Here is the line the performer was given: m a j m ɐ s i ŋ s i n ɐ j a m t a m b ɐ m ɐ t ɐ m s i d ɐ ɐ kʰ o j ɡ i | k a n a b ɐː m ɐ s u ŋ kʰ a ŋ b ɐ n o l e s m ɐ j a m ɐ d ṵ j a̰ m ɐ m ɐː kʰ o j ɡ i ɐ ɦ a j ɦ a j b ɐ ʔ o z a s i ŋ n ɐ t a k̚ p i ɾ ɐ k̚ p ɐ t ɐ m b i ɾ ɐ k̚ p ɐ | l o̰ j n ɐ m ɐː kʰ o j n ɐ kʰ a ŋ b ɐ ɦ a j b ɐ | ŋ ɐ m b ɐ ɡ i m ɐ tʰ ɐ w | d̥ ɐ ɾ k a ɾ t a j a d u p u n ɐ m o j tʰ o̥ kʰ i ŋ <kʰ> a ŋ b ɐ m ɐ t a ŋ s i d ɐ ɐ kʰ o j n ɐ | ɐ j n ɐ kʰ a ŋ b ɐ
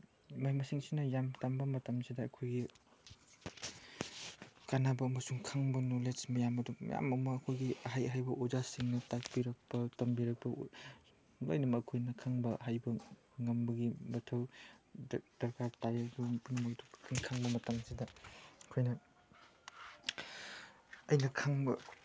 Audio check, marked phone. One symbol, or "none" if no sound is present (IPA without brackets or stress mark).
kʰ